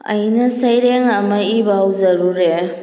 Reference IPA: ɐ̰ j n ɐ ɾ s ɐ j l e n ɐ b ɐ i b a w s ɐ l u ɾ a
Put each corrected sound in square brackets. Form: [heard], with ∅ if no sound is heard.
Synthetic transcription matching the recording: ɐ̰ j n ɐ [∅] s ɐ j [ɾ] e [ŋ] ɐ [m] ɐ i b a w [z] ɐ [ɾ] u ɾ [e]